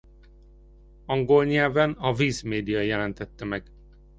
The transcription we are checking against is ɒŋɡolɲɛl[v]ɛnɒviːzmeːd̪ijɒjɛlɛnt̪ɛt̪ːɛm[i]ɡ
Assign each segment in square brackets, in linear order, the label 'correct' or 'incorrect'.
correct, incorrect

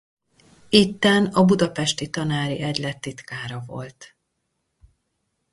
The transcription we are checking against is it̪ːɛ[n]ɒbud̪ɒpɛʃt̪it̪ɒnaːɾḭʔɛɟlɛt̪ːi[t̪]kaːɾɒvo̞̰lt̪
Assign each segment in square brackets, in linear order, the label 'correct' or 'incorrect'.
correct, correct

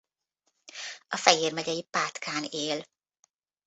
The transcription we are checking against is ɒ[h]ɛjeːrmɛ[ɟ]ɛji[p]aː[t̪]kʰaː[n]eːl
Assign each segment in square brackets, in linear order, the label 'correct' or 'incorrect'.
incorrect, correct, correct, correct, correct

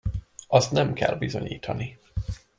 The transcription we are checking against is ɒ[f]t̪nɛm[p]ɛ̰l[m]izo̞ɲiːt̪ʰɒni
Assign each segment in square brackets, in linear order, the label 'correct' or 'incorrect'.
incorrect, incorrect, incorrect

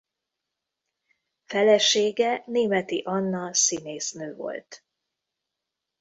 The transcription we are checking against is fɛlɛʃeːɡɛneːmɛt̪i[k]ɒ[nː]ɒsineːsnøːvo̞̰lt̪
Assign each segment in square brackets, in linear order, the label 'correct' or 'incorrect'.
incorrect, correct

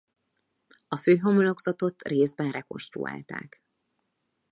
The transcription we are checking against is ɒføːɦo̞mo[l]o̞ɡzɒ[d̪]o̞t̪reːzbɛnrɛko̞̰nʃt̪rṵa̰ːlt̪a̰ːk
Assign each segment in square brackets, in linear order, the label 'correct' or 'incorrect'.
correct, incorrect

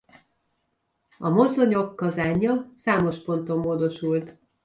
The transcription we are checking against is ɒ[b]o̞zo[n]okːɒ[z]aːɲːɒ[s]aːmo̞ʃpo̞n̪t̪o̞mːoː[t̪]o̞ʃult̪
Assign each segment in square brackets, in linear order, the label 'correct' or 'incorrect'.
incorrect, incorrect, correct, correct, incorrect

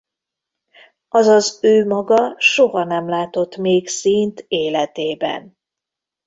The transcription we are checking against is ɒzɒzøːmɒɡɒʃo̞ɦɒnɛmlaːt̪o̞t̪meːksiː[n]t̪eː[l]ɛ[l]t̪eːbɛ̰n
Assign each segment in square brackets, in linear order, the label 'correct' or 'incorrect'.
correct, correct, incorrect

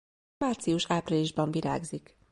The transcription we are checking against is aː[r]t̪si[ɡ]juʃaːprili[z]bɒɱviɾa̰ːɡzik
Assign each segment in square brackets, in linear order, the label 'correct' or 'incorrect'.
correct, incorrect, incorrect

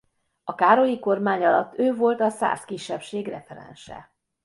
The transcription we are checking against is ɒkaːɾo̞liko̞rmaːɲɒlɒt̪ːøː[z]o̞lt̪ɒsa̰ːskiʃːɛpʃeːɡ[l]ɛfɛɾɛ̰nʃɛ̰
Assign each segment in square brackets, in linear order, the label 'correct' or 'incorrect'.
incorrect, incorrect

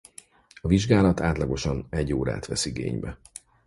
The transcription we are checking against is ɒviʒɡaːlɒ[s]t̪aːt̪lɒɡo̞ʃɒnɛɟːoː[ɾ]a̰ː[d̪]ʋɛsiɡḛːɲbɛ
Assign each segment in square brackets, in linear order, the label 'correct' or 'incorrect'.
incorrect, correct, incorrect

